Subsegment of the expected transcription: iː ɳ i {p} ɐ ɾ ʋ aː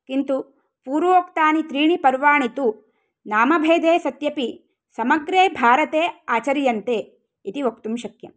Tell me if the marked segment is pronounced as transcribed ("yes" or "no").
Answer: yes